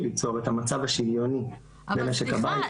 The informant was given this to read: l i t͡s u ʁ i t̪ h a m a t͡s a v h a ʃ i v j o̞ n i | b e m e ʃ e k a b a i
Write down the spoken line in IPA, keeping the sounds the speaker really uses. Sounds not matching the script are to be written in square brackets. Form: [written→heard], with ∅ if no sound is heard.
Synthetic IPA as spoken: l i t͡s [u→o] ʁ [i→e] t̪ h a m a t͡s a v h a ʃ i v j o̞ n i | b e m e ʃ e k a b a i